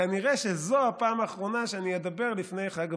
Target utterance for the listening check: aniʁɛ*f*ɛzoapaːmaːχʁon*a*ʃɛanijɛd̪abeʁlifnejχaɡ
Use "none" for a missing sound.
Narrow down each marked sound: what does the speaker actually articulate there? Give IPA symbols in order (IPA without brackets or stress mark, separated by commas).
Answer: ʃ, a